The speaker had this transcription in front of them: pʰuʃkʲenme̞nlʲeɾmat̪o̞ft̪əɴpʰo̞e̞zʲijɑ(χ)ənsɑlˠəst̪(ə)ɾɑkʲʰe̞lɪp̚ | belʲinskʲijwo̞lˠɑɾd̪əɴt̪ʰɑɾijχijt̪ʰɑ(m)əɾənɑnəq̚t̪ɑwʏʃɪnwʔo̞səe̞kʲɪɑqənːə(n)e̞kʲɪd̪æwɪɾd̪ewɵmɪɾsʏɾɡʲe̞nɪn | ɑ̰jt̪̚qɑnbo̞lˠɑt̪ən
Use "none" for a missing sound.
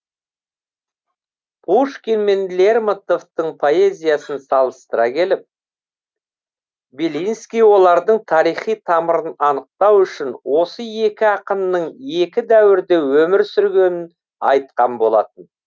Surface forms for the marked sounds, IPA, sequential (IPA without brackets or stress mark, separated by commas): s, ə, m, ɴ